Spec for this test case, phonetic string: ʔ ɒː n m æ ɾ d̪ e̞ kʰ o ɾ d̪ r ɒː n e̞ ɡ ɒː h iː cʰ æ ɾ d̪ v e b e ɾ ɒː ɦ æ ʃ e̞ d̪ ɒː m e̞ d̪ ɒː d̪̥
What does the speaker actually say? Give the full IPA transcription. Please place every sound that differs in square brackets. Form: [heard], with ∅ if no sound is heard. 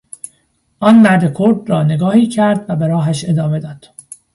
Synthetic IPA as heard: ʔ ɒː n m æ ɾ d̪ e̞ kʰ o ɾ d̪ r ɒː n e̞ ɡ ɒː h iː cʰ æ ɾ d̪ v [æ] b e ɾ ɒː ɦ æ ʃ e̞ d̪ ɒː m e̞ d̪ ɒː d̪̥